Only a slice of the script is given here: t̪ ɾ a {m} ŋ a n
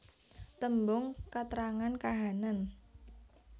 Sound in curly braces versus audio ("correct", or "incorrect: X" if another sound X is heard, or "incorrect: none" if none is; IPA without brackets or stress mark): incorrect: none